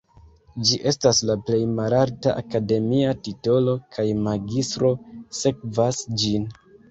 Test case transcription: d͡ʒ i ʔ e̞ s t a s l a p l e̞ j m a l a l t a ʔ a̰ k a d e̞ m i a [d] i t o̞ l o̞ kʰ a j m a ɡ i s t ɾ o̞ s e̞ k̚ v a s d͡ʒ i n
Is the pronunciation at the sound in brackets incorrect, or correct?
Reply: incorrect